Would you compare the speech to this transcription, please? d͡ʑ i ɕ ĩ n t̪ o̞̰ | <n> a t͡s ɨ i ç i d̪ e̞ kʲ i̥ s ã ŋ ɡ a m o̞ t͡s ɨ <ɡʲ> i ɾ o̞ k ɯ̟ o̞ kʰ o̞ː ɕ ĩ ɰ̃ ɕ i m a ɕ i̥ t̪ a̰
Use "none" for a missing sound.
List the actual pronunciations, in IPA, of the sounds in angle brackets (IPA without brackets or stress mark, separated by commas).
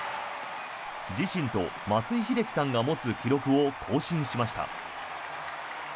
m, kʲ